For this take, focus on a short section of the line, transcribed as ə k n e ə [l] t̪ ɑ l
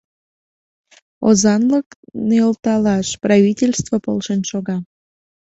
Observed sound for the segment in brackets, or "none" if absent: l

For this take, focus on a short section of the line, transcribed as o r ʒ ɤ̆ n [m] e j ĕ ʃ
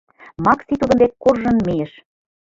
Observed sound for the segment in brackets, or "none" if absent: m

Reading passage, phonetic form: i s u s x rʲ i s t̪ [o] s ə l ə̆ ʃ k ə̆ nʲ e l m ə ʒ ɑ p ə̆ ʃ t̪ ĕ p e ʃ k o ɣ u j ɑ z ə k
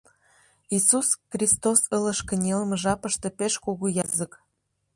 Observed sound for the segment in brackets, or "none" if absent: o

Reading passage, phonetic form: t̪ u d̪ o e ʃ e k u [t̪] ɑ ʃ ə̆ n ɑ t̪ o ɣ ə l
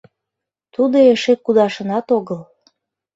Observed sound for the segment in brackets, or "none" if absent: d̪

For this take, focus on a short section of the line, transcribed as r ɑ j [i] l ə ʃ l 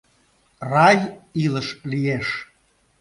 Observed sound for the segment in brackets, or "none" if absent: i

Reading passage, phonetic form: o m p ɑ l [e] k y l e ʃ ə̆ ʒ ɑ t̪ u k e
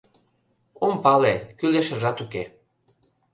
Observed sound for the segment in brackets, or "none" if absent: e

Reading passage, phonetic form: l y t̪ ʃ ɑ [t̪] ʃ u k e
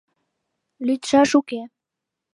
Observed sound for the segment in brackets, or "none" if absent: none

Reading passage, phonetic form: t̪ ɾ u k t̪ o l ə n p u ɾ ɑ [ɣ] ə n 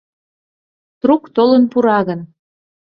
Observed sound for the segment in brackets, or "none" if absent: ɣ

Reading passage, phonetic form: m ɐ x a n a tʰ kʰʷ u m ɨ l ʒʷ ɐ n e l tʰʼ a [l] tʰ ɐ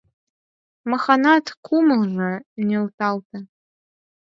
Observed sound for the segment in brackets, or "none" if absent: l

